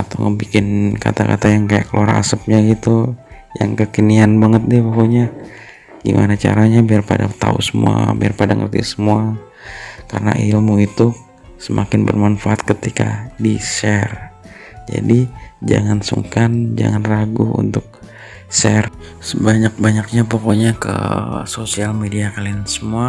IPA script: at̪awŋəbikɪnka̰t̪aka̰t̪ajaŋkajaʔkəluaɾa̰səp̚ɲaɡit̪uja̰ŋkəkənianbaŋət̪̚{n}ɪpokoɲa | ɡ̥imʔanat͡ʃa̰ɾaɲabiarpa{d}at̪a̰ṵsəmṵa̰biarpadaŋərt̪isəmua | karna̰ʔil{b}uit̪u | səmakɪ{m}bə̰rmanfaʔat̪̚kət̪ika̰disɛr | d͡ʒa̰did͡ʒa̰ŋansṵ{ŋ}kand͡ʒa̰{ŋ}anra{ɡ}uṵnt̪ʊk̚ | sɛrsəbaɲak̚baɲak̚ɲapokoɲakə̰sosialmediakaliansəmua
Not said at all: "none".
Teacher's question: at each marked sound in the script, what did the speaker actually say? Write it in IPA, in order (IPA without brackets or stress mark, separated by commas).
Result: d, d, m, n, ŋ, ŋ, ɡ